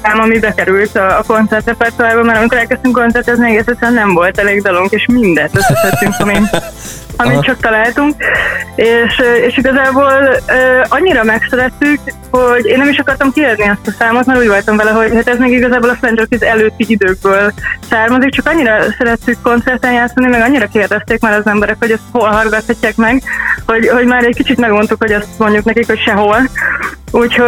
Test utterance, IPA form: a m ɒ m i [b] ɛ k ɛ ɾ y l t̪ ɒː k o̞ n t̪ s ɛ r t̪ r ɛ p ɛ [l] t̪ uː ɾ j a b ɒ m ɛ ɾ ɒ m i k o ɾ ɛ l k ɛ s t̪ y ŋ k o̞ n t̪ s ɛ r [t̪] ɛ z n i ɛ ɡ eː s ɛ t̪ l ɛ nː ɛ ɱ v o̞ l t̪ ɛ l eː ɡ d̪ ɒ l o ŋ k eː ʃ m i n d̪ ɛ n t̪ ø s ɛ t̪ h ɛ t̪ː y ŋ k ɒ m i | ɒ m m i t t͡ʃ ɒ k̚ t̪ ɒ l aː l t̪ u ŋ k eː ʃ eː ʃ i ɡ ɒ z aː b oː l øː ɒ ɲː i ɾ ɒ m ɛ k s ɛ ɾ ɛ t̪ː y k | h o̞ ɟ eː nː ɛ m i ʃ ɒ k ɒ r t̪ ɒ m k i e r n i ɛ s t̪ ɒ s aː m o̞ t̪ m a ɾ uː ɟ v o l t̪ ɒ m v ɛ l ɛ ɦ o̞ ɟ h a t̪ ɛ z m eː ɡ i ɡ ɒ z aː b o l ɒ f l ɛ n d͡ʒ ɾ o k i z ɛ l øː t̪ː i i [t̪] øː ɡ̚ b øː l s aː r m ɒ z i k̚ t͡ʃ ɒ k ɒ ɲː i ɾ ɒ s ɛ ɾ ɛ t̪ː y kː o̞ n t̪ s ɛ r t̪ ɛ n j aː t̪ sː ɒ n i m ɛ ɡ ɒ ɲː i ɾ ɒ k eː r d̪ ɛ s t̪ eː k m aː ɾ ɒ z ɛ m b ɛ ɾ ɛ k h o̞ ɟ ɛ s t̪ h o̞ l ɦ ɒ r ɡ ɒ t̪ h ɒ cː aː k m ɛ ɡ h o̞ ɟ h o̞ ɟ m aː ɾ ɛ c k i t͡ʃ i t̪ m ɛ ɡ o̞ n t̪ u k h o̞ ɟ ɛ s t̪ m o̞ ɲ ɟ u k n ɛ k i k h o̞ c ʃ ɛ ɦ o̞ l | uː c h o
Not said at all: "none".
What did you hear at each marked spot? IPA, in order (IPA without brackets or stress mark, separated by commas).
b, r, t̪, d̪